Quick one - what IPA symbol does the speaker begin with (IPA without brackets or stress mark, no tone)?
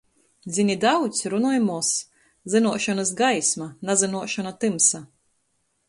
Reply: d̪